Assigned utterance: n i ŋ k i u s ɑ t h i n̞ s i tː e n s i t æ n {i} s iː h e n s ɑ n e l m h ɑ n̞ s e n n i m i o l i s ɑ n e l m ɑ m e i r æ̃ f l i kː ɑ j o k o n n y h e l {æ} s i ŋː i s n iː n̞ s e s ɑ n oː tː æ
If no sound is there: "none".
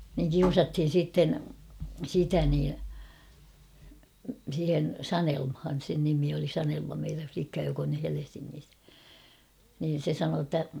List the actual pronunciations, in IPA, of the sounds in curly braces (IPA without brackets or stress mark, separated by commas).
iː, e